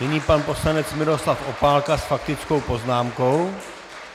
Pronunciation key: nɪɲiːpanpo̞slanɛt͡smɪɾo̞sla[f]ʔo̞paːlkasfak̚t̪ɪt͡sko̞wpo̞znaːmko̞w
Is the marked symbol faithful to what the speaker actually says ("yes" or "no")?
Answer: yes